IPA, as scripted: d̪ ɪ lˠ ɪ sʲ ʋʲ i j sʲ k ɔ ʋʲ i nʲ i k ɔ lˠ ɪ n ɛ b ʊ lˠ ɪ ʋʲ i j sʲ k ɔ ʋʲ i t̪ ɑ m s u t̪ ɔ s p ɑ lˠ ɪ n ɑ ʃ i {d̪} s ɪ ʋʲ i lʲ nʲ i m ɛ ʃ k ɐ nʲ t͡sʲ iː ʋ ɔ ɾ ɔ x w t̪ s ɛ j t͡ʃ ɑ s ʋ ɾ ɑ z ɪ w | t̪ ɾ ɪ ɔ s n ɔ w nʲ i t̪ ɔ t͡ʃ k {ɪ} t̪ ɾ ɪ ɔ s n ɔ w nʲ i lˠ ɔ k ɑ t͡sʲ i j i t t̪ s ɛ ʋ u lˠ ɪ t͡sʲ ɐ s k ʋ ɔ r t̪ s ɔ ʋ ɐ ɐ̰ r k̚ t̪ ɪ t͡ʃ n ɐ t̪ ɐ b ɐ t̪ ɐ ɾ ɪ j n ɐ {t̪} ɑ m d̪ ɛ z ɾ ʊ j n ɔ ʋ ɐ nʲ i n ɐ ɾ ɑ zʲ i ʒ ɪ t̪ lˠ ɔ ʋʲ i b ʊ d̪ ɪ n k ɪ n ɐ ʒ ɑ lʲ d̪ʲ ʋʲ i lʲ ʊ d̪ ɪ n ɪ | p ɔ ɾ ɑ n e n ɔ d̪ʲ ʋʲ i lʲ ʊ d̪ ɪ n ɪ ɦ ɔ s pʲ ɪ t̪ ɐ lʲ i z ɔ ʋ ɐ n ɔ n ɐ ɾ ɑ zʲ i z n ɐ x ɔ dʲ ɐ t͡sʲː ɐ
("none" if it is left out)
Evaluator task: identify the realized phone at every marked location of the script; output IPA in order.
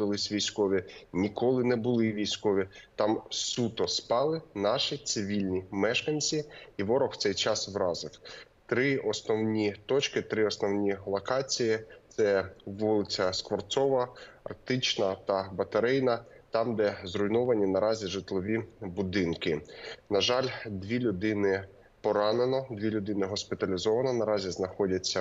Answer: t̪, ɪ, t̪

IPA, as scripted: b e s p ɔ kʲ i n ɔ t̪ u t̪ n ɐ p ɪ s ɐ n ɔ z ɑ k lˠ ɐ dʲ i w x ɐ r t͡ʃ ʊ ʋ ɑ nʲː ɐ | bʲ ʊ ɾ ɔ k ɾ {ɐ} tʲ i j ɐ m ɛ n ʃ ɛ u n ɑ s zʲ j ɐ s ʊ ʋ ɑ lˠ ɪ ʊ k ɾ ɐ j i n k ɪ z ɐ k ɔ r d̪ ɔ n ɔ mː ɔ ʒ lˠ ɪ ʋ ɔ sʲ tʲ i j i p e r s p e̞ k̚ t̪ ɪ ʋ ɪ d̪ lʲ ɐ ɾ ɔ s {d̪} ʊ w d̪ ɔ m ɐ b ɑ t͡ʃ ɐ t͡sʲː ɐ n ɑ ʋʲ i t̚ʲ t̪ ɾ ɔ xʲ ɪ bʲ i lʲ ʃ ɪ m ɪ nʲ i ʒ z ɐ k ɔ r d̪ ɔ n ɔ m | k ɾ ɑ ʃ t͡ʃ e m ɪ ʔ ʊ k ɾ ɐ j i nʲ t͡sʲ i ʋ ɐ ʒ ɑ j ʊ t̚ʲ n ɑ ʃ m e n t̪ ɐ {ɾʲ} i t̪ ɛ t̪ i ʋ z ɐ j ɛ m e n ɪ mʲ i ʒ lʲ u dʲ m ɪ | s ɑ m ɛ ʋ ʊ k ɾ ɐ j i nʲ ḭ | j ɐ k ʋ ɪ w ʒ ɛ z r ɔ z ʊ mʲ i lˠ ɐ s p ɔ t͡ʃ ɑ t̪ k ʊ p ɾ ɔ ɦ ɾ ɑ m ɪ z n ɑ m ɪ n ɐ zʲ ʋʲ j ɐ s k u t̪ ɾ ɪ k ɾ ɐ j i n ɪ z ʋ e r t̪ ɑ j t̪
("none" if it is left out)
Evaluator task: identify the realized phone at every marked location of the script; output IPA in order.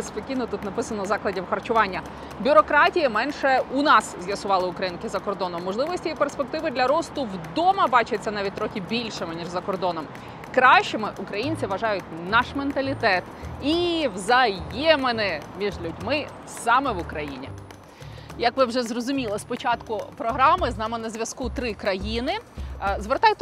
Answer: ɑ, t̪, lʲ

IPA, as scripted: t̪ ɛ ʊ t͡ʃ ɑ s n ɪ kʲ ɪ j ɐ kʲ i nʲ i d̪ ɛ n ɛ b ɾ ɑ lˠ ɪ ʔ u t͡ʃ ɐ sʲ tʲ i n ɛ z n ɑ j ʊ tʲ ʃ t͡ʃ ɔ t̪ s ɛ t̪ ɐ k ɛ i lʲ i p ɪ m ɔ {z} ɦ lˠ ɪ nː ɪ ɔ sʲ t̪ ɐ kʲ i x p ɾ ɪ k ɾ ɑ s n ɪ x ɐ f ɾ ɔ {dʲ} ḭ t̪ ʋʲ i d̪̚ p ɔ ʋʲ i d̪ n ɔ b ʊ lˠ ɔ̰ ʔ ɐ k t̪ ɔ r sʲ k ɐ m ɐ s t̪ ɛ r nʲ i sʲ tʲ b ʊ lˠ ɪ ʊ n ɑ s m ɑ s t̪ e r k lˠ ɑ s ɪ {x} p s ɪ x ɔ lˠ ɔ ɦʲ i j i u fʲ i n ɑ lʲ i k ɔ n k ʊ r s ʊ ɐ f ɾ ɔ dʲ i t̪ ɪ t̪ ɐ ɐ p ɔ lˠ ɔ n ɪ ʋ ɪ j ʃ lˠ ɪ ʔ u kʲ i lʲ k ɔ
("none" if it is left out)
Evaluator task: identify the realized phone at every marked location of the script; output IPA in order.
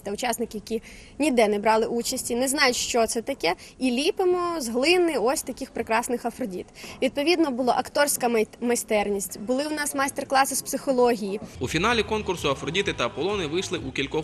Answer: z, dʲ, s

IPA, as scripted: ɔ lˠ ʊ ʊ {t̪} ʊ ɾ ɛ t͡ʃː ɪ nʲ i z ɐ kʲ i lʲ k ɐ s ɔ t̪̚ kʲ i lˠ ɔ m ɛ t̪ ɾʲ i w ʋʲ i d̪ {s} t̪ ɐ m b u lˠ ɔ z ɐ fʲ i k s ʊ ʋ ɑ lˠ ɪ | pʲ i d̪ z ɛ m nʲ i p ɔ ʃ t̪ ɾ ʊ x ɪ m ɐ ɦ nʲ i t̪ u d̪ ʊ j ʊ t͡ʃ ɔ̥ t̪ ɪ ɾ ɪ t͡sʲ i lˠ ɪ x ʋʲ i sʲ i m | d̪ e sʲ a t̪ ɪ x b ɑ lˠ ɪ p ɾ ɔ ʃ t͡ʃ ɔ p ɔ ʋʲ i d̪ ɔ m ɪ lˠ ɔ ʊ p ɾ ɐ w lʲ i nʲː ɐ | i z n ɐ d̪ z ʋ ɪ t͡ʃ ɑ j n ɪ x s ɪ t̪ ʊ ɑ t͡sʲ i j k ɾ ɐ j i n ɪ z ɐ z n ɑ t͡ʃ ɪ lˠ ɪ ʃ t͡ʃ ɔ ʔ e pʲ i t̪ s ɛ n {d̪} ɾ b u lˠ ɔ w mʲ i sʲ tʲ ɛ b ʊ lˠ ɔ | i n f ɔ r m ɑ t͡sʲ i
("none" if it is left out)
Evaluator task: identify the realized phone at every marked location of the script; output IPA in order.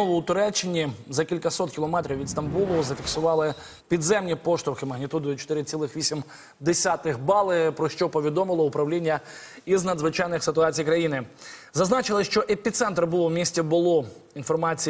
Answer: t̪, s, t̪

